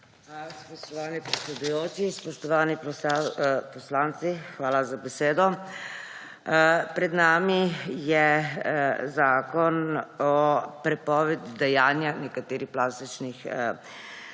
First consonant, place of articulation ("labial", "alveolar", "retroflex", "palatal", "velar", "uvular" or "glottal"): velar